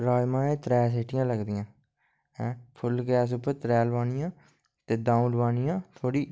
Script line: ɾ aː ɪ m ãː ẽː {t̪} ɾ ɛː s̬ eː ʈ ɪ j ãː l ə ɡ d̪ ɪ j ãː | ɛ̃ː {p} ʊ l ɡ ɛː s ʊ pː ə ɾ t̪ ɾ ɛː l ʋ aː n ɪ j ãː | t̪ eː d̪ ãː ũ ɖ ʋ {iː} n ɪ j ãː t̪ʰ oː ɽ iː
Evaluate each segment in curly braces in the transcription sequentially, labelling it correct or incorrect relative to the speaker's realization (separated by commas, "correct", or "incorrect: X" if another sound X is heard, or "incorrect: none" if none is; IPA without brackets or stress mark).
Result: correct, incorrect: pʰ, incorrect: aː